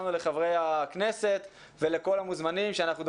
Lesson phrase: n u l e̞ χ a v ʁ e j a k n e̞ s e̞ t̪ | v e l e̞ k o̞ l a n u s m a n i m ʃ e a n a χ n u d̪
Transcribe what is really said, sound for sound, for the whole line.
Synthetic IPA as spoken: n u l e̞ χ a v ʁ e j a k n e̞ s e̞ t̪ | v e l e̞ k o̞ l a m u z m a n i m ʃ e a n a χ n u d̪